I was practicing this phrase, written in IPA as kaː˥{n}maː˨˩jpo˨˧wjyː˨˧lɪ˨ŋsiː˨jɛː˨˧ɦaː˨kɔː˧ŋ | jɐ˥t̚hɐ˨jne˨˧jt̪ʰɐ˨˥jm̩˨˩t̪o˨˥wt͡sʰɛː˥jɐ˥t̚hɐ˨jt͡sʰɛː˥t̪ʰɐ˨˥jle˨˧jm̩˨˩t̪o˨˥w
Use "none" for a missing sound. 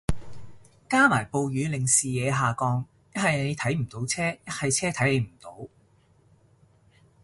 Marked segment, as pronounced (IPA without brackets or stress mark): none